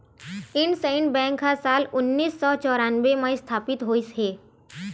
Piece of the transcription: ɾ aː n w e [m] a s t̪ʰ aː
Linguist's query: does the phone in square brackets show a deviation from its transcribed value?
no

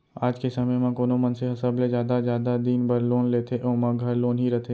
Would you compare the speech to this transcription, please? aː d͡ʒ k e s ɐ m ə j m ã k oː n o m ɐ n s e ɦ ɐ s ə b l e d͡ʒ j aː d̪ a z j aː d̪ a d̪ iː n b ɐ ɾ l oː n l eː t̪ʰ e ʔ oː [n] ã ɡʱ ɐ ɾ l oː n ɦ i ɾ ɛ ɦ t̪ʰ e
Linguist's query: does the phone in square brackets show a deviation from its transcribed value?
yes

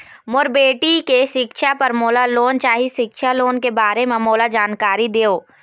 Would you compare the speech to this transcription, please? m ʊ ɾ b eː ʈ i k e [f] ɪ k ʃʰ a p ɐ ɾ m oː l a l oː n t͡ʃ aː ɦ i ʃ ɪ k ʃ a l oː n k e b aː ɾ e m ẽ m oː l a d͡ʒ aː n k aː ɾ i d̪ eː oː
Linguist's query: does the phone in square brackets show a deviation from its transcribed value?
yes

